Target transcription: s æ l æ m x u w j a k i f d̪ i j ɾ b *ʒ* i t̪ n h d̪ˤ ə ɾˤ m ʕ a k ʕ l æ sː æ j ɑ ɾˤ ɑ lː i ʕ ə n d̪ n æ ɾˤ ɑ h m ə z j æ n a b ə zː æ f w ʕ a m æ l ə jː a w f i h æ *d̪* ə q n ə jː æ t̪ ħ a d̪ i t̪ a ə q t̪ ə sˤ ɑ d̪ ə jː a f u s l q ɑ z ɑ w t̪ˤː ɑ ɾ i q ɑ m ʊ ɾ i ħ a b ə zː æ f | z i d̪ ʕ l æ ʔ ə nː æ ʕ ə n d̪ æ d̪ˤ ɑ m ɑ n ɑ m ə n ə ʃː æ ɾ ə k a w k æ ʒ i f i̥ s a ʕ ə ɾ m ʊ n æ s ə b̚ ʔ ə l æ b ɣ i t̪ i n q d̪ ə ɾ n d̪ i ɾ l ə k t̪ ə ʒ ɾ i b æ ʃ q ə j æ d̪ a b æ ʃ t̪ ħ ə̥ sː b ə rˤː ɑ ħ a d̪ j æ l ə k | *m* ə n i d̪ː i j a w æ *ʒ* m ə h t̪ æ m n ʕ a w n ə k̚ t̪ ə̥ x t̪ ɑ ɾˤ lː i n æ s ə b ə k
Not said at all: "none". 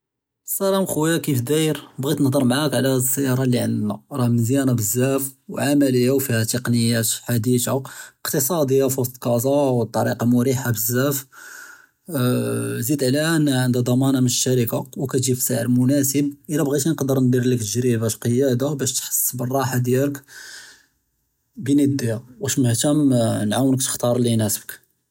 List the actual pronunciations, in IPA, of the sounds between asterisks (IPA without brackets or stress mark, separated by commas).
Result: ɣ, t̪, b, ʃ